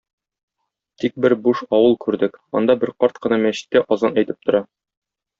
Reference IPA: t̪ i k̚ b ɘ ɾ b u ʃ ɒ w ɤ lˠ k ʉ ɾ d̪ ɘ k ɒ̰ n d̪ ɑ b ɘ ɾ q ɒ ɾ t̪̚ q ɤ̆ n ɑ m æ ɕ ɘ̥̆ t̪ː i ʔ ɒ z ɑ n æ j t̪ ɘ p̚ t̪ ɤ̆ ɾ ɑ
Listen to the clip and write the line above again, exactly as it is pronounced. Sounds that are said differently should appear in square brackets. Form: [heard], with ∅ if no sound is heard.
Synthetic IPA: t̪ i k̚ b ɘ ɾ b u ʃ ɒ w ɤ lˠ k ʉ ɾ d̪ ɘ k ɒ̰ n d̪ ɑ b ɘ ɾ q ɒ ɾ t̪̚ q ɤ̆ n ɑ m æ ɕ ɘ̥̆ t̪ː [æ] ʔ ɒ z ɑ n æ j t̪ ɘ p̚ t̪ [ŏ] ɾ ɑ